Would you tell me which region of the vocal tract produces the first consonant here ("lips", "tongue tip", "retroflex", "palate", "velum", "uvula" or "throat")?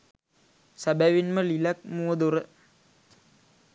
tongue tip